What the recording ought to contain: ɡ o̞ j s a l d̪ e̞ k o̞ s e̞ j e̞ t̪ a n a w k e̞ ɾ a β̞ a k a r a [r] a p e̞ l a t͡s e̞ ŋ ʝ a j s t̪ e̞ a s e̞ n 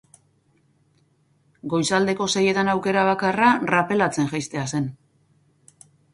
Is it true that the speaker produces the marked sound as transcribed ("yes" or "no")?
yes